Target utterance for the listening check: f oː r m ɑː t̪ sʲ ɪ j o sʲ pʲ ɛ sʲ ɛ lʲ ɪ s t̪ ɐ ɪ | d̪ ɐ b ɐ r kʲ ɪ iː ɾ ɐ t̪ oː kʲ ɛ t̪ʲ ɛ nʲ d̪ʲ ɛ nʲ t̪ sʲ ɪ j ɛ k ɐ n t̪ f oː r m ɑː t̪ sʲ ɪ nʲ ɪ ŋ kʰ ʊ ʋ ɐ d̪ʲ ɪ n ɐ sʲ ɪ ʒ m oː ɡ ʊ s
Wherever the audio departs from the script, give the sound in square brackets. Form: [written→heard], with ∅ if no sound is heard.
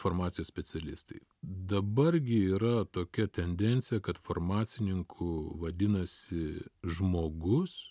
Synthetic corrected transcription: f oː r m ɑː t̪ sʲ ɪ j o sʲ pʲ ɛ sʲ ɛ lʲ ɪ s t̪ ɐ ɪ | d̪ ɐ b ɐ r [kʲ→ɡʲ] ɪ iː ɾ ɐ t̪ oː kʲ ɛ t̪ʲ ɛ nʲ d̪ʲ ɛ nʲ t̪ sʲ ɪ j ɛ k ɐ [n→∅] t̪ f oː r m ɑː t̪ sʲ ɪ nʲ ɪ ŋ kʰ ʊ ʋ ɐ d̪ʲ ɪ n ɐ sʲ ɪ ʒ m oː ɡ ʊ s

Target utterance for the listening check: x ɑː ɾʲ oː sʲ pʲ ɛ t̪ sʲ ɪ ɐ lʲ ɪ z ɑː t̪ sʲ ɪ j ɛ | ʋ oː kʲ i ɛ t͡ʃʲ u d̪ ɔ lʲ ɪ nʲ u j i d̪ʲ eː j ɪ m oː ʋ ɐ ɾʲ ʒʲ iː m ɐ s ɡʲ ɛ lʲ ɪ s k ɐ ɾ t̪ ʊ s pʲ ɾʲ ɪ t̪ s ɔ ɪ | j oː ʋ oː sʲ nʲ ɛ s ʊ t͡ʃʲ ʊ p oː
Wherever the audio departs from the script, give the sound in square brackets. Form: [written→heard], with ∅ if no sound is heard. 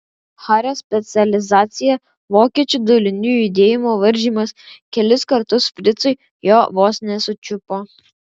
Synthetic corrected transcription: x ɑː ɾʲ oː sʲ pʲ ɛ t̪ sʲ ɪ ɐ lʲ ɪ z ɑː t̪ sʲ ɪ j ɛ | ʋ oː kʲ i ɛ t͡ʃʲ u d̪ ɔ lʲ ɪ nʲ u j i d̪ʲ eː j ɪ m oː ʋ ɐ ɾʲ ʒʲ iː m ɐ s [ɡʲ→kʲ] ɛ lʲ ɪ s k ɐ ɾ t̪ ʊ s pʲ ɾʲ ɪ t̪ s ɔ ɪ | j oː ʋ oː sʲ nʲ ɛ s ʊ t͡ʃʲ ʊ p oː

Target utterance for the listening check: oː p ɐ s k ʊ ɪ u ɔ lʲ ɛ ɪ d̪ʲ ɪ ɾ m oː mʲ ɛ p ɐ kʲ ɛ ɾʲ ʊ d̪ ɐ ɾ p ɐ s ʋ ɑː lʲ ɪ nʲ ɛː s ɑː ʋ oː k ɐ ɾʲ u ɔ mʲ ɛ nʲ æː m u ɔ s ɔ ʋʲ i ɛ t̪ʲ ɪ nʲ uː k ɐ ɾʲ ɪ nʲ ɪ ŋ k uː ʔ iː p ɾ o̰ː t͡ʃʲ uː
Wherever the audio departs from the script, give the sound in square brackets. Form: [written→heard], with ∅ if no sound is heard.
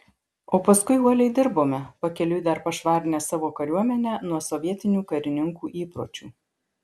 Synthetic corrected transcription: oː p ɐ s k ʊ ɪ u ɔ lʲ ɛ ɪ d̪ʲ ɪ ɾ [m→b] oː mʲ ɛ p ɐ kʲ ɛ [ɾʲ→lʲ] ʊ d̪ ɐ ɾ p ɐ [s→ʃ] ʋ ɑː [lʲ→ɾʲ] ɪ nʲ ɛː s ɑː ʋ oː k ɐ ɾʲ u ɔ mʲ ɛ nʲ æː [m→n] u ɔ s ɔ ʋʲ i ɛ t̪ʲ ɪ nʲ uː k ɐ ɾʲ ɪ nʲ ɪ ŋ k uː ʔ iː p ɾ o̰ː t͡ʃʲ uː

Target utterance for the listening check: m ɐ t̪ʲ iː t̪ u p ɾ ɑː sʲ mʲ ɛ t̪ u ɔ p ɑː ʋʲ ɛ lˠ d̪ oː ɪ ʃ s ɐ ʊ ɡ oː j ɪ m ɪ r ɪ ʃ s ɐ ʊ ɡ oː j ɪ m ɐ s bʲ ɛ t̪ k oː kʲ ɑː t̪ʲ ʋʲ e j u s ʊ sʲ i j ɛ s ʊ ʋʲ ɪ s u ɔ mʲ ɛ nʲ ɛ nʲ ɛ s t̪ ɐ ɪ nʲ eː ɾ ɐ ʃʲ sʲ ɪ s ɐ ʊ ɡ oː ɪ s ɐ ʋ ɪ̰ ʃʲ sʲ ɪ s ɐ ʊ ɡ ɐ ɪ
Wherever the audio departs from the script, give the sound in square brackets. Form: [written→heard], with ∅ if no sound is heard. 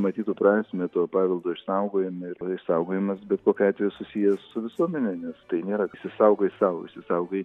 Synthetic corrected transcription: m ɐ t̪ʲ iː t̪ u p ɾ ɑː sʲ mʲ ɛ t̪ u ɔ p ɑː ʋʲ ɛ lˠ d̪ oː ɪ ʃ s ɐ ʊ ɡ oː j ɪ m ɪ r ɪ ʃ s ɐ ʊ ɡ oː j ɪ m ɐ s bʲ ɛ t̪ k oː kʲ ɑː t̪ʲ ʋʲ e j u s ʊ sʲ i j ɛ s ʊ ʋʲ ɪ s u ɔ mʲ ɛ nʲ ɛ nʲ ɛ s t̪ ɐ ɪ nʲ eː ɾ ɐ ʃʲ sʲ ɪ s ɐ ʊ ɡ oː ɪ s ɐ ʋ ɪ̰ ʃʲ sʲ ɪ s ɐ ʊ ɡ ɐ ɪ

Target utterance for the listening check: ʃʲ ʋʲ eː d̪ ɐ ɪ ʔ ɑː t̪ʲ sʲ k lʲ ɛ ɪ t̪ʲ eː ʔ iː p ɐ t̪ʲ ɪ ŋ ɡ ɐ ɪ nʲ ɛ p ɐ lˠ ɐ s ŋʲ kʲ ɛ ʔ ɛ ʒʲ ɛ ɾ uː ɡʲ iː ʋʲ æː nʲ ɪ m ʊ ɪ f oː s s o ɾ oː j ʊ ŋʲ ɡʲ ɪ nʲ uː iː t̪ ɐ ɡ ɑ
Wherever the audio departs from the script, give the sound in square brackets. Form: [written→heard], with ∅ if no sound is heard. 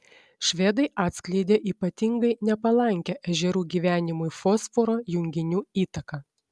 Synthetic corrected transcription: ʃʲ ʋʲ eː d̪ ɐ ɪ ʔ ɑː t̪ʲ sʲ k lʲ ɛ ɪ [t̪ʲ→d̪ʲ] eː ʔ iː p ɐ t̪ʲ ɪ ŋ ɡ ɐ ɪ nʲ ɛ p ɐ lˠ ɐ [s→∅] ŋʲ kʲ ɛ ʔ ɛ ʒʲ ɛ ɾ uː ɡʲ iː ʋʲ æː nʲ ɪ m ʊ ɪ f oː s [s→f] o ɾ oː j ʊ ŋʲ ɡʲ ɪ nʲ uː iː t̪ ɐ [ɡ→k] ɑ

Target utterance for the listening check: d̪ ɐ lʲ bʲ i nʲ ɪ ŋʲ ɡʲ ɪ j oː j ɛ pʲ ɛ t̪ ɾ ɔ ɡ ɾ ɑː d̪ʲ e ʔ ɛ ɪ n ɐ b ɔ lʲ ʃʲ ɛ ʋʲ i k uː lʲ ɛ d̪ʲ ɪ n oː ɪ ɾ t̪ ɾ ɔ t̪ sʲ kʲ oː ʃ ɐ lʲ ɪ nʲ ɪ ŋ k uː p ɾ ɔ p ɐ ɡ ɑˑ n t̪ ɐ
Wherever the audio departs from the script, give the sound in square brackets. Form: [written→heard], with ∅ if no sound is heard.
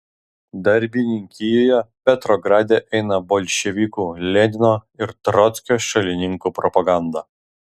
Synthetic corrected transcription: d̪ ɐ [lʲ→ɾʲ] bʲ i nʲ ɪ ŋʲ [ɡʲ→kʲ] ɪ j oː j ɛ pʲ ɛ t̪ ɾ ɔ ɡ ɾ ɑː d̪ʲ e ʔ ɛ ɪ n ɐ b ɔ lʲ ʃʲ ɛ ʋʲ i k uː lʲ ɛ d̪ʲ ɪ n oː ɪ ɾ t̪ ɾ ɔ t̪ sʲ kʲ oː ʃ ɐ lʲ ɪ nʲ ɪ ŋ k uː p ɾ ɔ p ɐ ɡ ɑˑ n [t̪→d̪] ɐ

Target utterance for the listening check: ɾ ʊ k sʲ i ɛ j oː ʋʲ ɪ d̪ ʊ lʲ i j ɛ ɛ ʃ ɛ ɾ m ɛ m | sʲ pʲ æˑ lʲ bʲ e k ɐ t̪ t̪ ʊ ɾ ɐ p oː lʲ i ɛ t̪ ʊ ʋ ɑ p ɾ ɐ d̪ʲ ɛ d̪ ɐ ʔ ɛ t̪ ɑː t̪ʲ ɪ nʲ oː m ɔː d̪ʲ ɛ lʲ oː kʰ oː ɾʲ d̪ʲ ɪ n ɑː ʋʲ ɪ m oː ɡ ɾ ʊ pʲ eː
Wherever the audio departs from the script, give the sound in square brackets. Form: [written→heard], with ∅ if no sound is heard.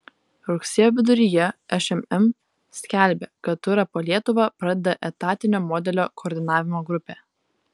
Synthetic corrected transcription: ɾ ʊ k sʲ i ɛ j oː ʋʲ ɪ d̪ ʊ [lʲ→ɾʲ] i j ɛ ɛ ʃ ɛ [ɾ→∅] m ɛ m | sʲ [pʲ→kʲ] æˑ lʲ bʲ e k ɐ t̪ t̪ ʊ ɾ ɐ p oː lʲ i ɛ t̪ ʊ ʋ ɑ p ɾ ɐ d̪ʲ ɛ d̪ ɐ ʔ ɛ t̪ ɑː t̪ʲ ɪ nʲ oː m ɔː d̪ʲ ɛ lʲ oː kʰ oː ɾʲ d̪ʲ ɪ n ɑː ʋʲ ɪ m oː ɡ ɾ ʊ pʲ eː

